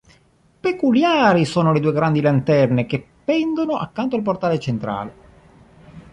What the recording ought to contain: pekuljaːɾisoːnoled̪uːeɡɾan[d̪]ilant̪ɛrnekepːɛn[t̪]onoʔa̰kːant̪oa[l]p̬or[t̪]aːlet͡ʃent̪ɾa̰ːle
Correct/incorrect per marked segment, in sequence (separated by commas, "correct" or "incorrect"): correct, incorrect, correct, correct